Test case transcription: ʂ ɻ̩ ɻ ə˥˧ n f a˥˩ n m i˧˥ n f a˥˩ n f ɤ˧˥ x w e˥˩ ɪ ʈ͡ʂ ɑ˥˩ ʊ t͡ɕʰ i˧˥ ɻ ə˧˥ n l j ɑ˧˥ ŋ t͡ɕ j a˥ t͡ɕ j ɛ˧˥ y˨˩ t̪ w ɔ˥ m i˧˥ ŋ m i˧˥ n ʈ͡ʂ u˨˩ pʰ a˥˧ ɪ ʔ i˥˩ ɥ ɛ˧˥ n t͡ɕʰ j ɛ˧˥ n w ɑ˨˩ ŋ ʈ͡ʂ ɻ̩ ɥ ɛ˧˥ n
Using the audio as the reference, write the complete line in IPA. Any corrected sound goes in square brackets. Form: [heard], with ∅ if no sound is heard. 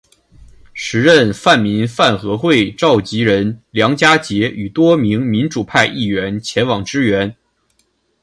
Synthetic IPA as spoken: ʂ ɻ̩ ɻ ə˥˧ n f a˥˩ n m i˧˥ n f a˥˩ n [x] ɤ˧˥ x w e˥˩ ɪ ʈ͡ʂ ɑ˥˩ ʊ [t͡ɕ] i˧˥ ɻ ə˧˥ n l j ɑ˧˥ ŋ t͡ɕ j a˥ t͡ɕ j ɛ˧˥ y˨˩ t̪ w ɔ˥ m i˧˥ ŋ m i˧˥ n ʈ͡ʂ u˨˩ pʰ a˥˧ ɪ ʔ i˥˩ ɥ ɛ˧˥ n t͡ɕʰ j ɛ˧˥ n w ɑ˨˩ ŋ ʈ͡ʂ ɻ̩ ɥ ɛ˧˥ n